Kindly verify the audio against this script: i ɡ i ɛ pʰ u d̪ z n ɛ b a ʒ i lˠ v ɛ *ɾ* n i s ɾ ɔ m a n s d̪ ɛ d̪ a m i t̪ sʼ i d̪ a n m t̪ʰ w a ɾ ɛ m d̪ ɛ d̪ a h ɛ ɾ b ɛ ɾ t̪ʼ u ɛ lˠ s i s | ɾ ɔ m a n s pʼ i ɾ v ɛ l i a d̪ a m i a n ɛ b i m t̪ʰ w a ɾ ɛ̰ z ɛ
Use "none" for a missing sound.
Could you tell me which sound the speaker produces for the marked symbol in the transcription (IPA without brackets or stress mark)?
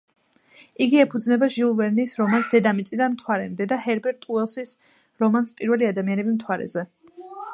ɾ